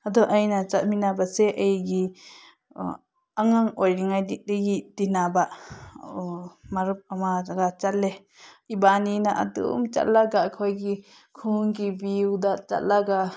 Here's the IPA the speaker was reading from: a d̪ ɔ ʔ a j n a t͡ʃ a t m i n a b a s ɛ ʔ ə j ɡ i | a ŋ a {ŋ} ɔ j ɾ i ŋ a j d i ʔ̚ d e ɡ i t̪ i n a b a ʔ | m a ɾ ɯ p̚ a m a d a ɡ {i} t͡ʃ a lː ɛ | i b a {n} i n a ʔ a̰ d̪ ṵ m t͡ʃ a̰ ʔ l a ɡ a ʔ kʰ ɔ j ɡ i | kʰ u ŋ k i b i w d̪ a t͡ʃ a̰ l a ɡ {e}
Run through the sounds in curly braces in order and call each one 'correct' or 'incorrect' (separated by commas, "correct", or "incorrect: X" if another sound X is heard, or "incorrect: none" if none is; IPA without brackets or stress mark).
correct, incorrect: a, correct, incorrect: a